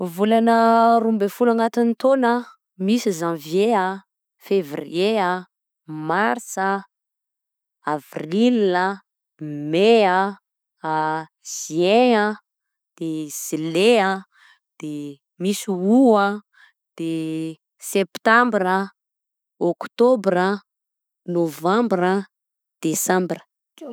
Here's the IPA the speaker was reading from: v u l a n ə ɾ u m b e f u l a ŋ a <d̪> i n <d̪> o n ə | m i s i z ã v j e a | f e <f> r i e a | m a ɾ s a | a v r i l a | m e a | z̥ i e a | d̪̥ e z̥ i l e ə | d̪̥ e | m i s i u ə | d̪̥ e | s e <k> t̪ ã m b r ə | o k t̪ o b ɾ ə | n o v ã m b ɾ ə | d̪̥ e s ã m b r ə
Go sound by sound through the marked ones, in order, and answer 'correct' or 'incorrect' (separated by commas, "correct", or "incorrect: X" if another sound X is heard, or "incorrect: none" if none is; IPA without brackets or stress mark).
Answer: incorrect: t̪, incorrect: t̪, incorrect: v, incorrect: p